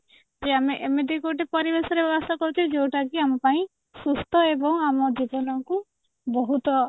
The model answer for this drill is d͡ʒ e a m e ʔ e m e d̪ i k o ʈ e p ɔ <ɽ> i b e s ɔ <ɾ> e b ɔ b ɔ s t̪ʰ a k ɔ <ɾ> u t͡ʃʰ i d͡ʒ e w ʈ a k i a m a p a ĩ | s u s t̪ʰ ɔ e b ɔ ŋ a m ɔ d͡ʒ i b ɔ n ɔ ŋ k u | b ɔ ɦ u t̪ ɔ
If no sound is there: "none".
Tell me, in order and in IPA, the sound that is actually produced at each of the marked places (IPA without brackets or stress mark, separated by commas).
ɾ, ɾ, ɾ